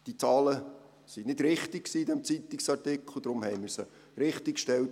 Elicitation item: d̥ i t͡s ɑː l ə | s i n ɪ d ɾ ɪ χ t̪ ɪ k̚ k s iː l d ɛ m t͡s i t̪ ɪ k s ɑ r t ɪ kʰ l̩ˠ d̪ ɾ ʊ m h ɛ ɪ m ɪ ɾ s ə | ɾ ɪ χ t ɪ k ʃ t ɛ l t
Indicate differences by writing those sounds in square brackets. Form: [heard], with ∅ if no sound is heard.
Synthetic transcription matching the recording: d̥ i t͡s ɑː l ə | s i n ɪ d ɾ ɪ χ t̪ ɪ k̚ k s iː [∅] d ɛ m t͡s i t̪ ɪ k s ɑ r t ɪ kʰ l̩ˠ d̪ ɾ ʊ m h ɛ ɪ m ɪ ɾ s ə | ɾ ɪ χ t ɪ k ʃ t ɛ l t